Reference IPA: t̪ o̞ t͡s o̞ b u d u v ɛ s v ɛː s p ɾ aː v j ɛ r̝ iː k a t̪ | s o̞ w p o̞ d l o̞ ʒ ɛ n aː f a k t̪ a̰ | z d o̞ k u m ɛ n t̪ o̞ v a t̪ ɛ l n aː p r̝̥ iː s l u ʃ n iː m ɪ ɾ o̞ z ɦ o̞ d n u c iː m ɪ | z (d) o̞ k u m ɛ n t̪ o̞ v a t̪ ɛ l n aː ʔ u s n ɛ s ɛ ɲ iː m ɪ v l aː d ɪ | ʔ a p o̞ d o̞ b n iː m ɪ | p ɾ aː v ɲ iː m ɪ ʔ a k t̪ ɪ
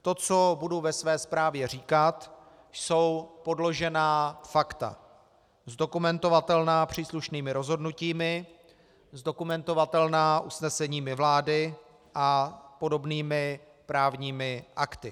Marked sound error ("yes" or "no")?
no